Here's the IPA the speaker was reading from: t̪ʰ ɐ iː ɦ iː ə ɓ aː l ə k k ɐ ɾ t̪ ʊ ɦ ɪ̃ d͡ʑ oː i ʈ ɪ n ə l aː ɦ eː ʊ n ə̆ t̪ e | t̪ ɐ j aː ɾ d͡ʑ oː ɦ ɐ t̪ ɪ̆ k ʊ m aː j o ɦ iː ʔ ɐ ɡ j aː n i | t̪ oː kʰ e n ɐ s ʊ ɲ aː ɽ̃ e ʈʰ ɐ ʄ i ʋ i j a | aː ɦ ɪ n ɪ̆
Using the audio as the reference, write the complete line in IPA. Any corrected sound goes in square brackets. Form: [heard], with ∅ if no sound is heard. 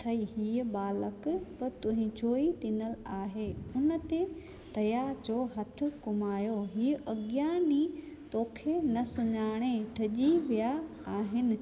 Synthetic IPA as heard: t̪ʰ ɐ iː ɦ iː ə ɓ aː l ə k [p] ɐ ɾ t̪ ʊ ɦ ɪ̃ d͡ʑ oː i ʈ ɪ n ə l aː ɦ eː ʊ n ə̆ t̪ e | t̪ ɐ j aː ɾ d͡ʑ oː ɦ ɐ [t̪ʰ] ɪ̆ k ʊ m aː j o ɦ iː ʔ ɐ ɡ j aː n i | t̪ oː kʰ e n ɐ s ʊ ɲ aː ɽ̃ e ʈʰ ɐ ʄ i ʋ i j a | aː ɦ ɪ n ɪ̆